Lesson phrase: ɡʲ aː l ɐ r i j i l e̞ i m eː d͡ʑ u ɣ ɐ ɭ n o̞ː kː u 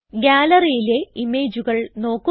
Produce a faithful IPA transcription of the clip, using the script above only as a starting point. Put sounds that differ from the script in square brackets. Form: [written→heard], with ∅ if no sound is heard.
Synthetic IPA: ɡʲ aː l ɐ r i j i l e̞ i m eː d͡ʑ u ɣ ɐ ɭ n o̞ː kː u